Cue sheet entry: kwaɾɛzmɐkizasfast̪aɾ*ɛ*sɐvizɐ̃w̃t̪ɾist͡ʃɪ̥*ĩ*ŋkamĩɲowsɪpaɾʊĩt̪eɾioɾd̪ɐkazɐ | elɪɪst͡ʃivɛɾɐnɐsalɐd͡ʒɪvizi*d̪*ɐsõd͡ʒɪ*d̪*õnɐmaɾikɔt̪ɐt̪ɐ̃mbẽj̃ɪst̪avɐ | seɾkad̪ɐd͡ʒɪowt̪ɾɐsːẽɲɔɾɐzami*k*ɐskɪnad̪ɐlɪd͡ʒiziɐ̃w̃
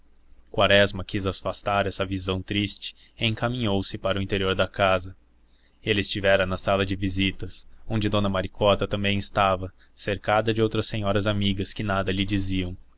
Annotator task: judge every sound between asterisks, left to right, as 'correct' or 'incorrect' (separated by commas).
correct, incorrect, incorrect, correct, incorrect